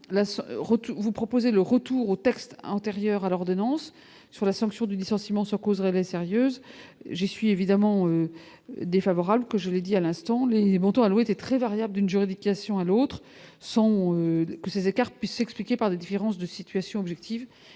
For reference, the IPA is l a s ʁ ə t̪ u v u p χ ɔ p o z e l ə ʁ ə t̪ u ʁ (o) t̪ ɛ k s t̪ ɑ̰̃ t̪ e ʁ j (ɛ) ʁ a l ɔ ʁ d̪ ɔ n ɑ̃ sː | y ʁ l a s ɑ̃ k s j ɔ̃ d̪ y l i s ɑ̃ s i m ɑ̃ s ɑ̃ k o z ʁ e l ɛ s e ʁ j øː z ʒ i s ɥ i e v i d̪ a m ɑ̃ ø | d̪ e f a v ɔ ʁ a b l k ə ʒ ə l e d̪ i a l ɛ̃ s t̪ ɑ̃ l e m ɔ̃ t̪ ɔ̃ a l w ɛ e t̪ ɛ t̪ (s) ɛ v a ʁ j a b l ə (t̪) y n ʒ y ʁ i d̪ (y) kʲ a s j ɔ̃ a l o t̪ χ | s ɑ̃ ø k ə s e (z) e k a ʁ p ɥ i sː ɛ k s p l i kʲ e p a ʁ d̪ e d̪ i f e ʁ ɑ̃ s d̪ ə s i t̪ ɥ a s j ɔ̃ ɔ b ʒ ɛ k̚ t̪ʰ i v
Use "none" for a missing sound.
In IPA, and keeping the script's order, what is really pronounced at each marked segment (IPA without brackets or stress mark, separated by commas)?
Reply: o, œ, χ, d̪, i, z